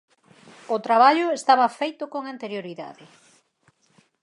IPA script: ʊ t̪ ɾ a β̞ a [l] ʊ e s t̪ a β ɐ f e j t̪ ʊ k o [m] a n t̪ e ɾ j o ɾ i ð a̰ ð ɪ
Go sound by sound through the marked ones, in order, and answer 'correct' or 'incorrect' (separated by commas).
incorrect, incorrect